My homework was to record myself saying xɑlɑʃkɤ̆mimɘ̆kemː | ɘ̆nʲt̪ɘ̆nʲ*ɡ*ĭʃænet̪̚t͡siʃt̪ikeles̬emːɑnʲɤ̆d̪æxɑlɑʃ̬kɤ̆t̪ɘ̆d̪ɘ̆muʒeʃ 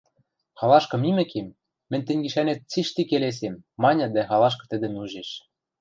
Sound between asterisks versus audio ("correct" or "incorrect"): correct